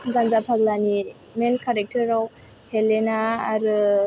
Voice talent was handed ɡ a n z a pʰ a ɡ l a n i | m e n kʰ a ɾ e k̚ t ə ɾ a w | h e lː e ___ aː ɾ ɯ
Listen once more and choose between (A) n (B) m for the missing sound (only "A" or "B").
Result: A